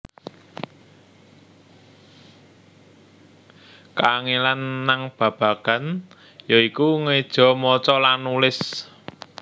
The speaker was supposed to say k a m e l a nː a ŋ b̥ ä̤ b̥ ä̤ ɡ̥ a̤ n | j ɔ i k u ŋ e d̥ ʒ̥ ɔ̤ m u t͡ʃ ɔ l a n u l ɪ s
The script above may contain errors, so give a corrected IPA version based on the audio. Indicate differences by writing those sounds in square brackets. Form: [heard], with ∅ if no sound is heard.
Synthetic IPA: k a [ŋ] e l a nː a ŋ b̥ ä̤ b̥ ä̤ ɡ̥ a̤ n | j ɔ i k u ŋ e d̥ ʒ̥ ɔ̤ m [ɔ] t͡ʃ ɔ l a n u l ɪ s